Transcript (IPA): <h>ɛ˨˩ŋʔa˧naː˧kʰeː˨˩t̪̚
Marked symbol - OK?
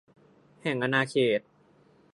yes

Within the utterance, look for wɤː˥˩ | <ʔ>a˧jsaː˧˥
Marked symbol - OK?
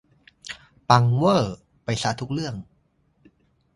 no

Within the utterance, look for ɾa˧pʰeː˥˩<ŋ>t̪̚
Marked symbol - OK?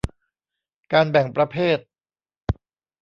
no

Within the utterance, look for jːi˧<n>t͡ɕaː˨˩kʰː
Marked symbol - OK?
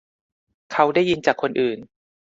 yes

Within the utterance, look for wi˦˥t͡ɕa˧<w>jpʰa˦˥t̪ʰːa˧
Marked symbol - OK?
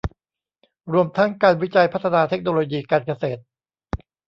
no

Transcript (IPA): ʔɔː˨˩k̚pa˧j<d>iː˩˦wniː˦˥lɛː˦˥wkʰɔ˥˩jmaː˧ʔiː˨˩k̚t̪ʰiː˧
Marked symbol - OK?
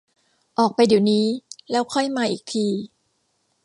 yes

